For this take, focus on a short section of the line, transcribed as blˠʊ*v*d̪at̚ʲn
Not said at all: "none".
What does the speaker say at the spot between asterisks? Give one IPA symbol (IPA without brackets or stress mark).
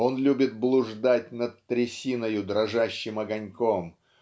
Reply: ʐ